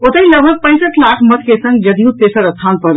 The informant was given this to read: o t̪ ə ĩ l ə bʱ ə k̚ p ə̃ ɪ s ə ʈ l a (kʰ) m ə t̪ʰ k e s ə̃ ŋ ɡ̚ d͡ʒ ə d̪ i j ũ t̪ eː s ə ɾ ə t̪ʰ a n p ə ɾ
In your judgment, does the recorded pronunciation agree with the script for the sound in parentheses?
yes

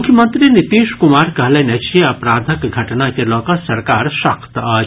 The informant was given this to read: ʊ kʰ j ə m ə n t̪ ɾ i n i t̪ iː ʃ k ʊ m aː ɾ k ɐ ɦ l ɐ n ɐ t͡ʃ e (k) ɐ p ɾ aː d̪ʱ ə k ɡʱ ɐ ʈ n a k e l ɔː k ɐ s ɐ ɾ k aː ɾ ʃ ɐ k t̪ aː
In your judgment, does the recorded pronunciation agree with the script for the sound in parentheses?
no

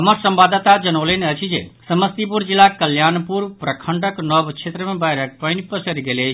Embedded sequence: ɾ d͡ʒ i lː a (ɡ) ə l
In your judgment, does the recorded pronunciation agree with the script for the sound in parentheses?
no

